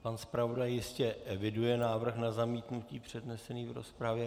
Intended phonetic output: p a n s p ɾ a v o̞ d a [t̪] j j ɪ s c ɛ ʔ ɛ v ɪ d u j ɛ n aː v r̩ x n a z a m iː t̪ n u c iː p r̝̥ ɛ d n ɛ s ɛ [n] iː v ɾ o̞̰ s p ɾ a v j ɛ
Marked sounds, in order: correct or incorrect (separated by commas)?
incorrect, correct